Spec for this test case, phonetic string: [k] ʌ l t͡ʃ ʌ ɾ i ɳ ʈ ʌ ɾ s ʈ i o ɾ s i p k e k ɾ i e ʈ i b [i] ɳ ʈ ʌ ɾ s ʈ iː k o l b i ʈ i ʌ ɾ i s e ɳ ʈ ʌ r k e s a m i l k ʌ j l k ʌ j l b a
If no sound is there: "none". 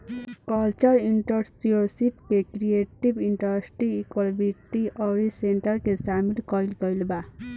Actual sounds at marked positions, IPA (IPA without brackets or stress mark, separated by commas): k, i